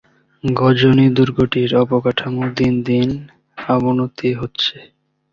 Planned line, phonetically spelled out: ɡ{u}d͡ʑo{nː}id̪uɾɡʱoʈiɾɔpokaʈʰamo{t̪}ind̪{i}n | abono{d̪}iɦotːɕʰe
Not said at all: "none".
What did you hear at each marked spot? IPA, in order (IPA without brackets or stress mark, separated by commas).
ɔ, n, d̪, i, t̪